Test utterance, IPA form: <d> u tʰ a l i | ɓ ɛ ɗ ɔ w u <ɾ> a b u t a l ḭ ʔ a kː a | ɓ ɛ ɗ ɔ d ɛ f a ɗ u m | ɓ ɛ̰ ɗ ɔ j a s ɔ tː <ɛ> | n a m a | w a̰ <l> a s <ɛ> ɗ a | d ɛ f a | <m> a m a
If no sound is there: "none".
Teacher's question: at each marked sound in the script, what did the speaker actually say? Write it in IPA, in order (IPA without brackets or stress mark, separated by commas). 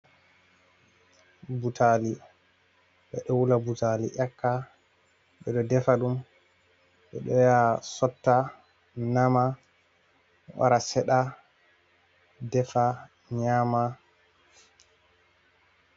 b, l, a, ɾ, ɛ, ɲ